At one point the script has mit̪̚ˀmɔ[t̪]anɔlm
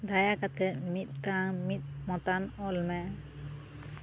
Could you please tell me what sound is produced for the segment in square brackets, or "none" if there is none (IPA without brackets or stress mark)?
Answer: t̪